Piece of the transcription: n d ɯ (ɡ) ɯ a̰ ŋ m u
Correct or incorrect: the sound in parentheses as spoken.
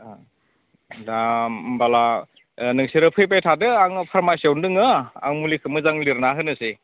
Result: incorrect: ŋ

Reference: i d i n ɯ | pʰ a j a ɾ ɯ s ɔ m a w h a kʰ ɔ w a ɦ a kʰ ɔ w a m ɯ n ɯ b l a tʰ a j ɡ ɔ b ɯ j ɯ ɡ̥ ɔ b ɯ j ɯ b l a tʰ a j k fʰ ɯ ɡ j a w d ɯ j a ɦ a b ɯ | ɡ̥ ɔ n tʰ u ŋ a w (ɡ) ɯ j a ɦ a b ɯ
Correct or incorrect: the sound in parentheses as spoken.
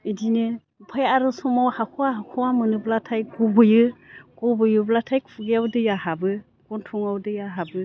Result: incorrect: d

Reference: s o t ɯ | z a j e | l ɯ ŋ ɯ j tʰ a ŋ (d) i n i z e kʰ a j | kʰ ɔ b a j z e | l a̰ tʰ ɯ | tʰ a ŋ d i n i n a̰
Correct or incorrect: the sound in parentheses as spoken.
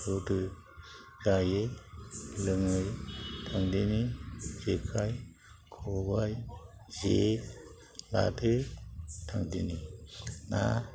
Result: correct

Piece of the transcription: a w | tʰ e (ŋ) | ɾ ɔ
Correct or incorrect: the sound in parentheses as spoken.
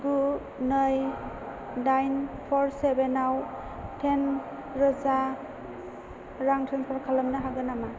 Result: incorrect: n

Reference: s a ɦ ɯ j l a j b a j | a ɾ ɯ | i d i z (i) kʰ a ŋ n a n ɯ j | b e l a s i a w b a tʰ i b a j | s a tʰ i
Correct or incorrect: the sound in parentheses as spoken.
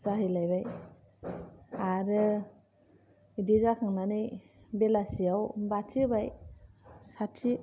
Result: incorrect: a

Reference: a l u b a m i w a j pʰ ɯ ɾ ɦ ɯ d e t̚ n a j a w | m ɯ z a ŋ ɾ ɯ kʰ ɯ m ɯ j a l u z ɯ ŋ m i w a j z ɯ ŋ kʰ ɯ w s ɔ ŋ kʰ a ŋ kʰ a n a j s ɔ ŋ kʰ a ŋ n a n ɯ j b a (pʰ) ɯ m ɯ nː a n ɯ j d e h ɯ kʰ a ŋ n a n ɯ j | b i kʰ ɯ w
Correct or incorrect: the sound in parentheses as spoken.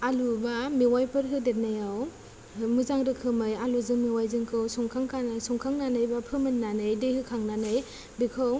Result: correct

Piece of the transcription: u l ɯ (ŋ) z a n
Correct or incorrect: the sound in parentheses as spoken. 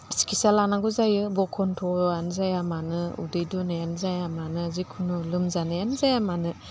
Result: incorrect: m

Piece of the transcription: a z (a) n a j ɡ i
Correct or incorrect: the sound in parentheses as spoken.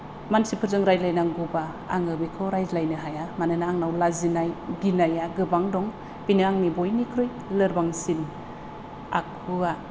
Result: incorrect: i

